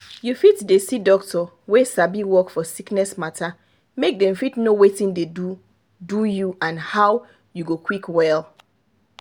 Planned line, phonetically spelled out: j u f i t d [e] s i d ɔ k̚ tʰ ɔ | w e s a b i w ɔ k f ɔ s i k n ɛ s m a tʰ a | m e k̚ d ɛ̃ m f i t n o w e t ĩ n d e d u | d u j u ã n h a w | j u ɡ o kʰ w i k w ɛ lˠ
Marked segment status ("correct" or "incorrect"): correct